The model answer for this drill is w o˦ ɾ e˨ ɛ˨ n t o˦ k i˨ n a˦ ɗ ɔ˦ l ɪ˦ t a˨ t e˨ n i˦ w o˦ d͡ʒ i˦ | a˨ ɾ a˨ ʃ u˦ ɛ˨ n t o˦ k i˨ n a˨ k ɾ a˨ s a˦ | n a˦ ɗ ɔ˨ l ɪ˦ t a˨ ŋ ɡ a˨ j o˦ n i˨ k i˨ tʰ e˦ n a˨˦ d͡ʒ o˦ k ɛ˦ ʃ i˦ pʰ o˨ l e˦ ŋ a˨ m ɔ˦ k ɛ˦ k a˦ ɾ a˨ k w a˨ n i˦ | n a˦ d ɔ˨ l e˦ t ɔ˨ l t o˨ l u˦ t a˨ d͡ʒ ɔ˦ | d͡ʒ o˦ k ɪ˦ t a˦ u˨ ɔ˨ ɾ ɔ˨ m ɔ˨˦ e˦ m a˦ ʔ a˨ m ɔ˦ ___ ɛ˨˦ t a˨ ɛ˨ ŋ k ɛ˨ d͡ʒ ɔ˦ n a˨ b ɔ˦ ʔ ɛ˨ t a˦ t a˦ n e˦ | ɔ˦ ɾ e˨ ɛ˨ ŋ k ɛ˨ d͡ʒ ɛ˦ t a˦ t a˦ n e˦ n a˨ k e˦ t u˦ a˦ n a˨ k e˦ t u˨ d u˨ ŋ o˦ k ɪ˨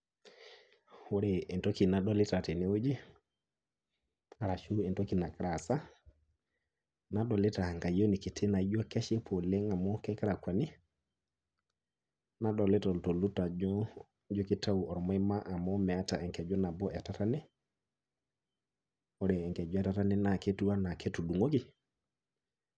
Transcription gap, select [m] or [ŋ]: m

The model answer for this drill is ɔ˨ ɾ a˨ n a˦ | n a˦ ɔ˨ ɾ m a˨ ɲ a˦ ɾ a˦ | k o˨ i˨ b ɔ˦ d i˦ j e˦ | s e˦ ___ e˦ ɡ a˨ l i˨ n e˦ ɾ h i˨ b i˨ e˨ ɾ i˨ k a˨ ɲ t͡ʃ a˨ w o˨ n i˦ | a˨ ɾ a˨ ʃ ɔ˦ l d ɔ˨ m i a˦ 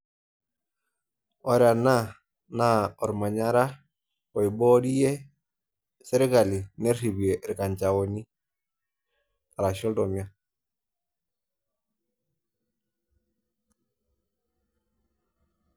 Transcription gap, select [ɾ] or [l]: ɾ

